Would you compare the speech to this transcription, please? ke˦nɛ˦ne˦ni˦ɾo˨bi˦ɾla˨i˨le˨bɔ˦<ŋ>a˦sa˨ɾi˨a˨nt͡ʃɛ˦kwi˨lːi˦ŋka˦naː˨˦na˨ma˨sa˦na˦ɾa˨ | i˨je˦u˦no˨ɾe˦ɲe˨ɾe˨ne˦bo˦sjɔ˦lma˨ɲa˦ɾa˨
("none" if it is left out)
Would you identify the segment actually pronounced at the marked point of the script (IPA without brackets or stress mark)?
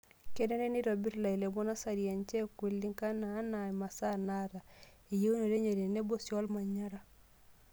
n